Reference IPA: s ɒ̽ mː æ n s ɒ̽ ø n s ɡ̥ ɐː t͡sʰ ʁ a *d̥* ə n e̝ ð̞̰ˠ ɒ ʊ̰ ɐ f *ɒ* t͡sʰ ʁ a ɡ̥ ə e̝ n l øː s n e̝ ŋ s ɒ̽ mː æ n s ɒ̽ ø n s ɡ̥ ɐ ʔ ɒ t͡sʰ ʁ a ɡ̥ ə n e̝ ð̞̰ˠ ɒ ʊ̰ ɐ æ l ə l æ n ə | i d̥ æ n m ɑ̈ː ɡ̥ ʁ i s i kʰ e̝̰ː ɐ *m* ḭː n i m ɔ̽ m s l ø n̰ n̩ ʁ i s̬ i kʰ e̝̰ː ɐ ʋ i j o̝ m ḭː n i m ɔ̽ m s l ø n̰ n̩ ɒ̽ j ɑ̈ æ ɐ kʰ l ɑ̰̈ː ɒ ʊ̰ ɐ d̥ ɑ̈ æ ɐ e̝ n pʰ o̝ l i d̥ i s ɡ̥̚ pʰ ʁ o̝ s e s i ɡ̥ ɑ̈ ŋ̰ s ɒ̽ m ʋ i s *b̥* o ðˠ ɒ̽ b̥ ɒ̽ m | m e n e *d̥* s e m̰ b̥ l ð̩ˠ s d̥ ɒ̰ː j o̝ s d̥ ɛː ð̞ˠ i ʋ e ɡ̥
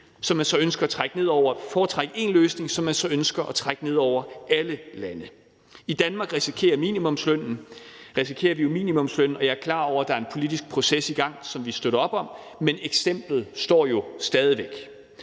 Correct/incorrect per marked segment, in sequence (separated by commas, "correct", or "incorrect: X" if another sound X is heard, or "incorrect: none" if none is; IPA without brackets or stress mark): incorrect: ɡ̥, incorrect: ɒː, correct, incorrect: d̥, incorrect: ɡ̥